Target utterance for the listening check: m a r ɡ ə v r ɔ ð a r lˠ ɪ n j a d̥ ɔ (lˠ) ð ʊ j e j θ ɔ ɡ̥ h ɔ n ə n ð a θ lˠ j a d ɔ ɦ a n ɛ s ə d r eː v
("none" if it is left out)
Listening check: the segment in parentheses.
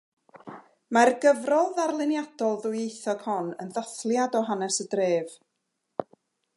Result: lˠ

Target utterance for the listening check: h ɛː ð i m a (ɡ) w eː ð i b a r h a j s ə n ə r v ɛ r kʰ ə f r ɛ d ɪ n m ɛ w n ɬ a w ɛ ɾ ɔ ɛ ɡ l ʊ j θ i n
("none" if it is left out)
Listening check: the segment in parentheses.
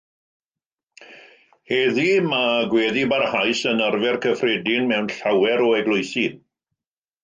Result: ɡ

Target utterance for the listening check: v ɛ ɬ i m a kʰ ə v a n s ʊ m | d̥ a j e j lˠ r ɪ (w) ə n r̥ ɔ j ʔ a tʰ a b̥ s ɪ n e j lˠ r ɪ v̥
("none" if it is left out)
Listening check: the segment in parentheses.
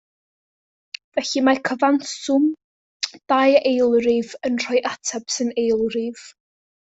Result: v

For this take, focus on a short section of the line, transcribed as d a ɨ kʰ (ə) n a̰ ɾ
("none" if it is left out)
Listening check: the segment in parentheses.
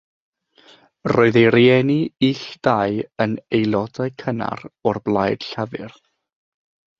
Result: ə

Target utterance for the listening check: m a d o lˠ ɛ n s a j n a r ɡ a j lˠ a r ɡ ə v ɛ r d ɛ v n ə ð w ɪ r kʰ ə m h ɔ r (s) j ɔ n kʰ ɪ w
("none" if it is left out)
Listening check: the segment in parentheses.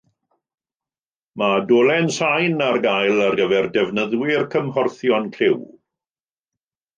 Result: θ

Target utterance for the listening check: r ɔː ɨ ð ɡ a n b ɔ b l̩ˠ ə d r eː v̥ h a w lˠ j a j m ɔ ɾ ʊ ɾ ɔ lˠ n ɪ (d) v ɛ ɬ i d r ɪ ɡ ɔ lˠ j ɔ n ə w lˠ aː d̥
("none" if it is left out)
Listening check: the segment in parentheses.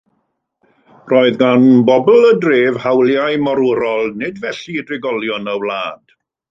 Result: d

